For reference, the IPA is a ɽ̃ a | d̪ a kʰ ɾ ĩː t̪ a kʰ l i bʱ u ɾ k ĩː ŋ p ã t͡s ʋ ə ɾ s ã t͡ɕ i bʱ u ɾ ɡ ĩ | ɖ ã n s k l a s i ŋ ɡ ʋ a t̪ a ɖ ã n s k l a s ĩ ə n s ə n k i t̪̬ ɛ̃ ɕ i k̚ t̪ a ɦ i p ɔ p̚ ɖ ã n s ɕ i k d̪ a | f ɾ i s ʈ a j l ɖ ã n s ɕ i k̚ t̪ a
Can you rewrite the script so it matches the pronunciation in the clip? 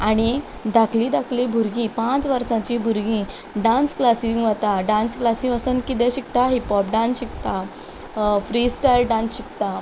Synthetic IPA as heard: a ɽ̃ i | d̪ a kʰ l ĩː d̪ a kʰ l i bʱ u ɾ ɡ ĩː p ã t͡s ʋ ə ɾ s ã t͡ɕ i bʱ u ɾ ɡ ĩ | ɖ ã n s k l a s i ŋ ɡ ʋ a t̪ a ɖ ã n s k l a s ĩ ə s ə n k i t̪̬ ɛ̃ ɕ i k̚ t̪ a ɦ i p ɔ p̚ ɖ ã n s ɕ i k t̪ a | f ɾ i s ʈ a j l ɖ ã n s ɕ i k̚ t̪ a